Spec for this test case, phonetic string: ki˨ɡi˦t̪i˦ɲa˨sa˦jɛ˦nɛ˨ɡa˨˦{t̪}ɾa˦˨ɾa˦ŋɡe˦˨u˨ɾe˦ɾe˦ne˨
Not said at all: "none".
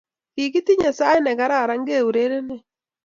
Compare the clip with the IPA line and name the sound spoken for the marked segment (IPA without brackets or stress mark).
none